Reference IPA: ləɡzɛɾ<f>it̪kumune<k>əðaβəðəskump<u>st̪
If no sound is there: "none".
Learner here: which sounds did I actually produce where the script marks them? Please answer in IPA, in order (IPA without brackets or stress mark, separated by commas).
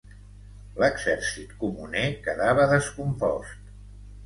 s, k, ɔ